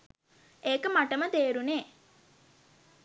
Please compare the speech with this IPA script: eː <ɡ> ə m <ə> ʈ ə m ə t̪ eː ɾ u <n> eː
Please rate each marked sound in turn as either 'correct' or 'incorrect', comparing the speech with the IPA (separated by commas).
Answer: incorrect, incorrect, correct